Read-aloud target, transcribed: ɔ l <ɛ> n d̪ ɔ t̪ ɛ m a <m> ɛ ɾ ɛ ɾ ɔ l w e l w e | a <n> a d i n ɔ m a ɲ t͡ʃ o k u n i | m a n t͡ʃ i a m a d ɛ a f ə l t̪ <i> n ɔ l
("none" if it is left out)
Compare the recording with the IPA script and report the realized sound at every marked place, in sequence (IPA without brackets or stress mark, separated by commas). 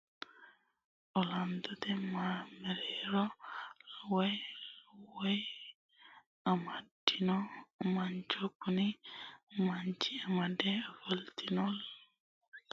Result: a, m, m, i